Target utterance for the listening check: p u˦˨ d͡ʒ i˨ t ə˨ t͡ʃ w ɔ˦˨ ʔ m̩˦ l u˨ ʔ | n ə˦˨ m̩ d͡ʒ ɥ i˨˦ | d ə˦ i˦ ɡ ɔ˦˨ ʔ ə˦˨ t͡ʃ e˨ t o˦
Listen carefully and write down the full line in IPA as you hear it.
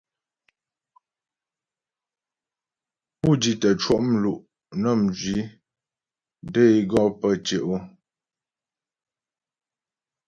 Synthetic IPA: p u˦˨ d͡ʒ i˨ t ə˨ t͡ʃ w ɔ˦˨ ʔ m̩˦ l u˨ ʔ | n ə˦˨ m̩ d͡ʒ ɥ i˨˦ | d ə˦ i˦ ɡ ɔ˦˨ p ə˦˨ t͡ʃ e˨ ʔ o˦